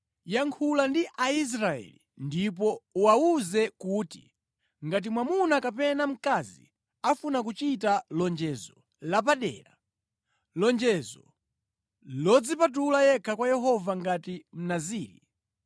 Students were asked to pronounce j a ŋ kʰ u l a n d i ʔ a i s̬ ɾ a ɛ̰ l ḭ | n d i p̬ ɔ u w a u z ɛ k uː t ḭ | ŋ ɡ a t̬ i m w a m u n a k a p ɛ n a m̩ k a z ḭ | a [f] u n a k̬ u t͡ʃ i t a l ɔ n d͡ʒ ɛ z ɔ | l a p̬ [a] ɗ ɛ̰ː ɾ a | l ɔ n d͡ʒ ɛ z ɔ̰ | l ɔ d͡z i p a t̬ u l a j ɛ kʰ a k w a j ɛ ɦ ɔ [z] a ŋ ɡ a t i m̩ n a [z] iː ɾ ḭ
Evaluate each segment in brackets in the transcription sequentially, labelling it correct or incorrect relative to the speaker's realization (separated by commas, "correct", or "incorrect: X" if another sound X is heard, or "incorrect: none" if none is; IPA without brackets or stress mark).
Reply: correct, correct, incorrect: v, correct